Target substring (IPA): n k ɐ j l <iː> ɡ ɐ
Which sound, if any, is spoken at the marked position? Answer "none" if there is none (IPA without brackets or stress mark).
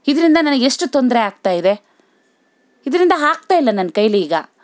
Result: iː